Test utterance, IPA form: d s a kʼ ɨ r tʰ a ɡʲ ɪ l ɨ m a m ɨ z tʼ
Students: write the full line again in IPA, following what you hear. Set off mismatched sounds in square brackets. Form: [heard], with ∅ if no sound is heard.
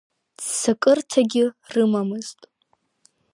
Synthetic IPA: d s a kʼ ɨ r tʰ a ɡʲ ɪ [r] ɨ m a m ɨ z tʼ